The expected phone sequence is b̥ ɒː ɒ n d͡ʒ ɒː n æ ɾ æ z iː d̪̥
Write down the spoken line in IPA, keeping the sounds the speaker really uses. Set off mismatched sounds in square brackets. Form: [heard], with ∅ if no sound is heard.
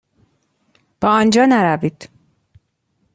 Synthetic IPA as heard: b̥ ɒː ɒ n d͡ʒ ɒː n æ ɾ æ [v] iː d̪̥